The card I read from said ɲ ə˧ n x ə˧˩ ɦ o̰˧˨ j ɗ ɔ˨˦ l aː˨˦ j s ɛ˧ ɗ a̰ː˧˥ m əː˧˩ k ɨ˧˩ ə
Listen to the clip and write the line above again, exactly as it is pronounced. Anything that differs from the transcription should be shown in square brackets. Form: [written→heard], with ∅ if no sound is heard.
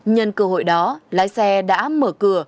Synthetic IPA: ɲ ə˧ n [x→k] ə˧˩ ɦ o̰˧˨ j ɗ ɔ˨˦ l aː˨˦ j s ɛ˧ ɗ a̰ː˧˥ m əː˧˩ k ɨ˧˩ ə